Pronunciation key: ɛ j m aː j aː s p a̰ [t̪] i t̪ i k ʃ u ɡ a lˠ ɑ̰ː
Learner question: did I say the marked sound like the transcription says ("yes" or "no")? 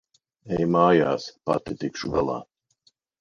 yes